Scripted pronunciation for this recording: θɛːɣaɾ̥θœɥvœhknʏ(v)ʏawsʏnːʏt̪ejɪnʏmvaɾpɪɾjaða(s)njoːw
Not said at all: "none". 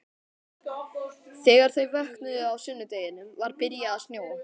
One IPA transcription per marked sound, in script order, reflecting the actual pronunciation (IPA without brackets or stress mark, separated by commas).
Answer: ð, s